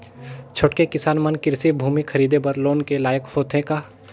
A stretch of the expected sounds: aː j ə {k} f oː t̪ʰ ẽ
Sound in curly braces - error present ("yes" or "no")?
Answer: no